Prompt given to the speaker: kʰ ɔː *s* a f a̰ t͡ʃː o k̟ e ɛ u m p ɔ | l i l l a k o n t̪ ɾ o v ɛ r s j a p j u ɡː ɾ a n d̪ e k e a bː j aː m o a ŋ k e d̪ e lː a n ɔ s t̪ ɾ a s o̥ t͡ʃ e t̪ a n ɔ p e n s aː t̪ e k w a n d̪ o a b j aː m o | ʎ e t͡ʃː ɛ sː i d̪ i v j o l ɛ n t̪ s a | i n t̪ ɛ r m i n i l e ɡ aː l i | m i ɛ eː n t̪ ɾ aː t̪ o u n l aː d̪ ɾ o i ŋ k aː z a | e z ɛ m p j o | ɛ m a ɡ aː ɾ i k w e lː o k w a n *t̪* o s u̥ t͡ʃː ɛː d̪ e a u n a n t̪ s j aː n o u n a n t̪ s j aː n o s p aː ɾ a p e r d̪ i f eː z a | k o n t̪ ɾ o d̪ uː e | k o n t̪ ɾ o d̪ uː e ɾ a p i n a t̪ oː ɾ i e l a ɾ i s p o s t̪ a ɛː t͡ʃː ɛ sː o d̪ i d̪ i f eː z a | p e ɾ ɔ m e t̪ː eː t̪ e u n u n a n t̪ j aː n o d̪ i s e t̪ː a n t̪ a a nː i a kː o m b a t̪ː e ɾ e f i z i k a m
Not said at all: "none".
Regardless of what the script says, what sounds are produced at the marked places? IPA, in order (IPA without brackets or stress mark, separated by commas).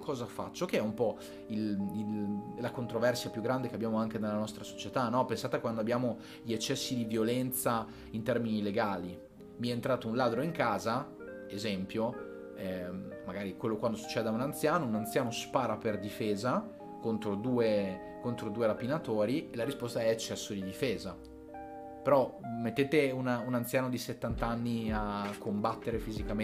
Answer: z, d̪